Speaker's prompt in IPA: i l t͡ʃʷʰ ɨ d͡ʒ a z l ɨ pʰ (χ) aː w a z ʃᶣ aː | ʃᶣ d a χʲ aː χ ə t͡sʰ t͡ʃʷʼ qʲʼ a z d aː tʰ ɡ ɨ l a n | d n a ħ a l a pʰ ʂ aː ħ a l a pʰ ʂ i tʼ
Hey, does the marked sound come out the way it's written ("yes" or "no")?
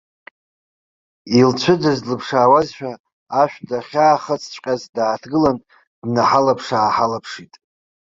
no